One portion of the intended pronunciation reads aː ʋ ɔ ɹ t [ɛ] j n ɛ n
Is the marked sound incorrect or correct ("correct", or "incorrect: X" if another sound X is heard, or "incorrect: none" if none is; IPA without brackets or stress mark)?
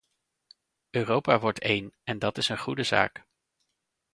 incorrect: e